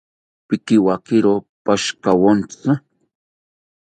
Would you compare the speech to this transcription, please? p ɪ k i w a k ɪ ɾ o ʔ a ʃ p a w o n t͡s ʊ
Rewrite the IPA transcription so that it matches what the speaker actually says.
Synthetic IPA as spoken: p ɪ k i w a k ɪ ɾ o p a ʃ k a w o n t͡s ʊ